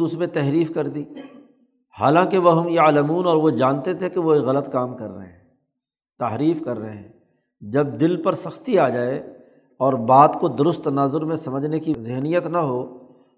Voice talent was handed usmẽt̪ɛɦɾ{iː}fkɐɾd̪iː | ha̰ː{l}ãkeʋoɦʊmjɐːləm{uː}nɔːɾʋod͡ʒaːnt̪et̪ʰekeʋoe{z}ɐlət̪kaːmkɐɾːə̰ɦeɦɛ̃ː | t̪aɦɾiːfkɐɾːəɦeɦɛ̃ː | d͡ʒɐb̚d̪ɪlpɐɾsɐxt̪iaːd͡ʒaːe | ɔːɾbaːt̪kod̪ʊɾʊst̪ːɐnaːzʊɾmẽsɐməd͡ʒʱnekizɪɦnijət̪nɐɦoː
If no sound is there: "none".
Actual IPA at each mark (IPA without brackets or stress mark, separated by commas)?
iː, l, uː, ɣ